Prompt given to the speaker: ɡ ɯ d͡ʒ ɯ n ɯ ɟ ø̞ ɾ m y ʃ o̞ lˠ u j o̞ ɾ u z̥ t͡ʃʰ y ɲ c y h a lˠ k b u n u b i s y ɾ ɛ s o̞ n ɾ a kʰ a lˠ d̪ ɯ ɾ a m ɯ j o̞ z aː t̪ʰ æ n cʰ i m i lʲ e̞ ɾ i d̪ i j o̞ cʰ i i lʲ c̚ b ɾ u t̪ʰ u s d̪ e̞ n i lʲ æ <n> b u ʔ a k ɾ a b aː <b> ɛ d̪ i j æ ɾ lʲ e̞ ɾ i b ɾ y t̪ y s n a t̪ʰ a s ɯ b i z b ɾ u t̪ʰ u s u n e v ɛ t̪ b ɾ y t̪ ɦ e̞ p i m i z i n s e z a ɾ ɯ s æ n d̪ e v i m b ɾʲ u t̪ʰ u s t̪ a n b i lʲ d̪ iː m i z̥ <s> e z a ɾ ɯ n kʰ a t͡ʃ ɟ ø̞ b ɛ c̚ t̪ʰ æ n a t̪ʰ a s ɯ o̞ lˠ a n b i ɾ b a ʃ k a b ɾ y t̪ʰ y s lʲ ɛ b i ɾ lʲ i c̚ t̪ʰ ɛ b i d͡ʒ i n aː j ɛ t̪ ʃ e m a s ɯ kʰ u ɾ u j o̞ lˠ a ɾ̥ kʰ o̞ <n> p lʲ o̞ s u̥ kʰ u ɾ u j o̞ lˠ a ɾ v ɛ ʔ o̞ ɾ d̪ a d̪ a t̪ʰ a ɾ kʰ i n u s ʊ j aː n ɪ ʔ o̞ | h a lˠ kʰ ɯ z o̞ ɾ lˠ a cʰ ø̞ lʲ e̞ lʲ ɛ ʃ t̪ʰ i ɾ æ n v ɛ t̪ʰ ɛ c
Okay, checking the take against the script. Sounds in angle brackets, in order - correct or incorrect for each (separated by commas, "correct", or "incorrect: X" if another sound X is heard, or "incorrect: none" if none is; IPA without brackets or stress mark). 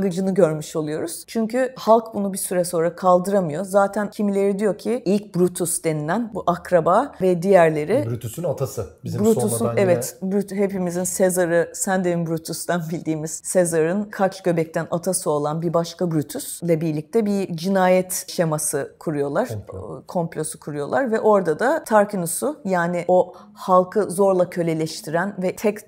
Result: correct, incorrect: v, correct, incorrect: m